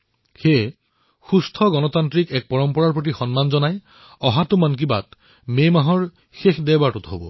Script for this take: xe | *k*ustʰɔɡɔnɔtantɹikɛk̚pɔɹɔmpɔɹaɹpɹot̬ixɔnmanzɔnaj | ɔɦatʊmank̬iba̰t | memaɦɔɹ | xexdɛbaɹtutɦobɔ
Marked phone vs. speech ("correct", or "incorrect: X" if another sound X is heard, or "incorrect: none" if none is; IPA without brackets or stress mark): incorrect: x